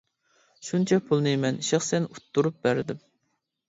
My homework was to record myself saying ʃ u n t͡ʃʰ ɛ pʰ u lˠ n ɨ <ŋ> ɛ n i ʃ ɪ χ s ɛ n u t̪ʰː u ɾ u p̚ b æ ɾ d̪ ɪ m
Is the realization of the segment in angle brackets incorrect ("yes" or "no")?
yes